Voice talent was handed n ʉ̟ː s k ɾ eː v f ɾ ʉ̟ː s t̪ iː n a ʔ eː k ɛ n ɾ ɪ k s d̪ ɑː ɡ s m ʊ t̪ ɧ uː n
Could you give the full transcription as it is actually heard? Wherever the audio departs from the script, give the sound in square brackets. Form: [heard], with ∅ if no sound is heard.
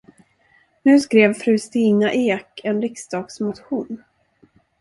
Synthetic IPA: n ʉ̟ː s k ɾ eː v f ɾ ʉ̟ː s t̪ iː n a ʔ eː k ɛ n ɾ ɪ k s d̪ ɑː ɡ s m ʊ t̪ ɧ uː n